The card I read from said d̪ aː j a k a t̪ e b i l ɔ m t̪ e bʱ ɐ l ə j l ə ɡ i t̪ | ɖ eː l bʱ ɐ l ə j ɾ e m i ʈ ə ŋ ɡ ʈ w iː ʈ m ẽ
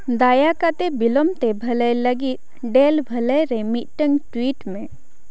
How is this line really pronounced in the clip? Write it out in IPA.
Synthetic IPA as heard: d̪ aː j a k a t̪ e b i l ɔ m t̪ e bʱ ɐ l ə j l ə ɡ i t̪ | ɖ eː l bʱ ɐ l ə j ɾ e m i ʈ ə ŋ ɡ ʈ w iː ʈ m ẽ